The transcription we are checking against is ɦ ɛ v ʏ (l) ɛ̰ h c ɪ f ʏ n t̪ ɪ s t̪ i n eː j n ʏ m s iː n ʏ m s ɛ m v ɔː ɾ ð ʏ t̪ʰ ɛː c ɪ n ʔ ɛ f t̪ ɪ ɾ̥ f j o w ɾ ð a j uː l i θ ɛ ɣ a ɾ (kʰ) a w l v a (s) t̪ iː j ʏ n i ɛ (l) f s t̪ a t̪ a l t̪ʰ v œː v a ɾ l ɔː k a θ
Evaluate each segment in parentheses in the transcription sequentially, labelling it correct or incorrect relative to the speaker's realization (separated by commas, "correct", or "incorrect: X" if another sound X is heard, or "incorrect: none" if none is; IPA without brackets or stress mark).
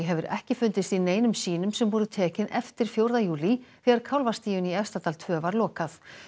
incorrect: ɾ, correct, correct, incorrect: none